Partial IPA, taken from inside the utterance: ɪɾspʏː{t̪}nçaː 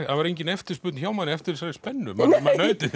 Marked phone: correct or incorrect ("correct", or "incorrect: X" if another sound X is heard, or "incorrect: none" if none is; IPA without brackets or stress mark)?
correct